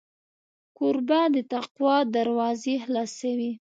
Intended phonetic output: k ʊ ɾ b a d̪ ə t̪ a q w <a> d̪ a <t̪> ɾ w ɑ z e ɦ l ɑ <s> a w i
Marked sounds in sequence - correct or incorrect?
incorrect: ɑ, incorrect: none, correct

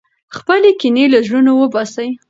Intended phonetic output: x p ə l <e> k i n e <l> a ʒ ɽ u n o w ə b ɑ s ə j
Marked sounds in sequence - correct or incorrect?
correct, correct

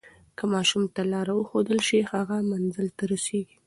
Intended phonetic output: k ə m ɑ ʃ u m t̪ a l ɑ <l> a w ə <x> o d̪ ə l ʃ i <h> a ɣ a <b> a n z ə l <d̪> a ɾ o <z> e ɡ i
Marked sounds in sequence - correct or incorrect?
incorrect: ɾ, correct, correct, incorrect: m, incorrect: t̪, incorrect: s

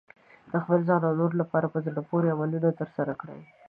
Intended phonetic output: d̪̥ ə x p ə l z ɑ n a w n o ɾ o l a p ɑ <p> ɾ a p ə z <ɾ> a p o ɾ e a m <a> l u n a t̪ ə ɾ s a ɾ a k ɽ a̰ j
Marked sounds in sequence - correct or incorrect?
incorrect: none, incorrect: ɽ, correct

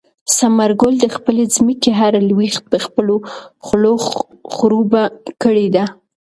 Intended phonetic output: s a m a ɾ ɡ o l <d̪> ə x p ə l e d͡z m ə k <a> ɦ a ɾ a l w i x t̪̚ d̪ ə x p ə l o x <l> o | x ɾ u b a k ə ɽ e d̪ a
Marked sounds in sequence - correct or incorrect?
correct, incorrect: e, correct

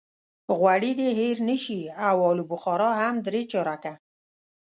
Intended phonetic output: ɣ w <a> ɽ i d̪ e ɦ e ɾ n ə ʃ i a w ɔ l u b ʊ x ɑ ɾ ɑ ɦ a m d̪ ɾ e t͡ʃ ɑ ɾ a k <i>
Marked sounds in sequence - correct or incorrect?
correct, incorrect: a

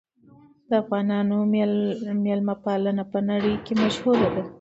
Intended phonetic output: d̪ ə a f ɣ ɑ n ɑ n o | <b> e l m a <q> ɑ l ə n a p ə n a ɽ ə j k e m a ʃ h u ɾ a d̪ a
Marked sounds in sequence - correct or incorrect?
incorrect: m, incorrect: p

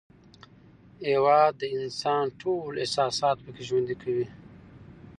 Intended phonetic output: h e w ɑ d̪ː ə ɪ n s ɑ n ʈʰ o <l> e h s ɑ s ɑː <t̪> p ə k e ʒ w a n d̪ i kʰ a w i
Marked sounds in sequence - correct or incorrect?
correct, correct

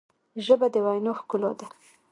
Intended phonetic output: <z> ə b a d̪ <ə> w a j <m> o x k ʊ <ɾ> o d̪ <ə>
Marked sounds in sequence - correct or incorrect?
incorrect: ʒ, correct, incorrect: n, incorrect: l, incorrect: a

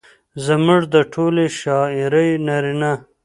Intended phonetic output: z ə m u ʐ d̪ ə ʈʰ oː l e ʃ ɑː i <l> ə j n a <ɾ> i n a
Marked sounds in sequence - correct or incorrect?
incorrect: ɾ, correct

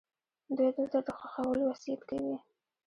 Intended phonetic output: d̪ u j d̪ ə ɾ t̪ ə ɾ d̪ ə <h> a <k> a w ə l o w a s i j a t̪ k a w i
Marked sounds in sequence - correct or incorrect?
incorrect: x, incorrect: x

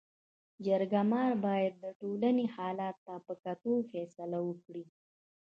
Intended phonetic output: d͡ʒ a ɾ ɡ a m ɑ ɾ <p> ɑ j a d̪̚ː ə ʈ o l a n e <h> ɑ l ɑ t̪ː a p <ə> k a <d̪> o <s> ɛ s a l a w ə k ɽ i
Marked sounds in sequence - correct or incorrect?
incorrect: b, correct, correct, incorrect: t̪, incorrect: f

